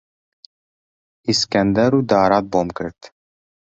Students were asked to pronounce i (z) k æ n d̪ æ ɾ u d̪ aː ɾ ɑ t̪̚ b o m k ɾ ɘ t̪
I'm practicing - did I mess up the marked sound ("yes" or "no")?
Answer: yes